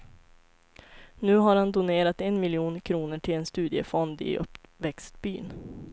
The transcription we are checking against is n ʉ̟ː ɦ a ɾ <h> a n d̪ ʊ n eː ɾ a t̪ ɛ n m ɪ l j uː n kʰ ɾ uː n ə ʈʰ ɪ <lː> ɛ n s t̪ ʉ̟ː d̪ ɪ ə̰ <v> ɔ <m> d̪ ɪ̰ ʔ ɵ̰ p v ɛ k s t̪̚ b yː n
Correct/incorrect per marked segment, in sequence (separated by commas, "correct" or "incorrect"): correct, incorrect, incorrect, incorrect